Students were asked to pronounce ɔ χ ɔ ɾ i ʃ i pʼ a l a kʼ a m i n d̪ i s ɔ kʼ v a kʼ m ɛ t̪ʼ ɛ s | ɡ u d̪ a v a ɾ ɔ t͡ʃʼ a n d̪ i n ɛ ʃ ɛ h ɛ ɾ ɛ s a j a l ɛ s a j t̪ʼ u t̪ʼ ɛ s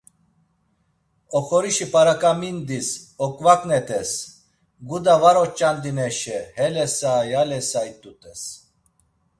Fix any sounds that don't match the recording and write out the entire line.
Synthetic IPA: ɔ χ ɔ ɾ i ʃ i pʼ a ɾ a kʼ a m i n d̪ i s ɔ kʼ v a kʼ n ɛ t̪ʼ ɛ s | ɡ u d̪ a v a ɾ ɔ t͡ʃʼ a n d̪ i n ɛ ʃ ɛ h ɛ l ɛ s a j a l ɛ s a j t̪ʼ u t̪ʼ ɛ s